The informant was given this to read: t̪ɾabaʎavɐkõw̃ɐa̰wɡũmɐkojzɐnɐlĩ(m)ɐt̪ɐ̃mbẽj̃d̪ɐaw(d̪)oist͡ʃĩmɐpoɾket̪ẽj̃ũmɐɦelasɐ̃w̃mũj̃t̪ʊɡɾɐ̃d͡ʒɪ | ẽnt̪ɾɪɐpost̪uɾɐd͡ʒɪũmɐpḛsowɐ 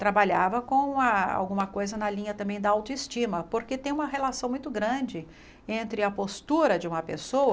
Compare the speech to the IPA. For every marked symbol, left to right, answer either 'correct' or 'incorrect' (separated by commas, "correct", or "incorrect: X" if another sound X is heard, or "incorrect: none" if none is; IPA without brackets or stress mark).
incorrect: ɲ, incorrect: t̪